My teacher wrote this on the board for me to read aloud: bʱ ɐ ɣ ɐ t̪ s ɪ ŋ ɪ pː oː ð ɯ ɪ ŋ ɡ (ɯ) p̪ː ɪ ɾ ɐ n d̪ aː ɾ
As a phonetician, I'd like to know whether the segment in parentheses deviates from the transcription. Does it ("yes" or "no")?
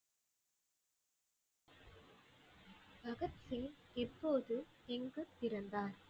no